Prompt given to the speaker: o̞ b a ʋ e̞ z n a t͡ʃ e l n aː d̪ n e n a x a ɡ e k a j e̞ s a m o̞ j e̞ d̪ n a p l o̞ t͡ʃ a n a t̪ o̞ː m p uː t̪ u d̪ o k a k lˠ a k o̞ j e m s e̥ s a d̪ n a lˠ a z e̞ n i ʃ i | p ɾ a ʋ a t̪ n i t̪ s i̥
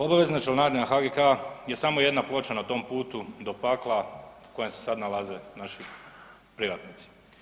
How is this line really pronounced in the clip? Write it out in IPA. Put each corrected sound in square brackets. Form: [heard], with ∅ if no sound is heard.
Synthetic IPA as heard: o̞ b a ʋ e̞ z n a t͡ʃ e l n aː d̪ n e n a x a ɡ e k a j e̞ s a m o̞ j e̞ d̪ n a p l o̞ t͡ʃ a n a t̪ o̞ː m p uː t̪ u d̪ o [p] a k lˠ a k o̞ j e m s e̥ s a d̪ n a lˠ a z e̞ n [a] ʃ i | p ɾ [i] ʋ a t̪ n i t̪ s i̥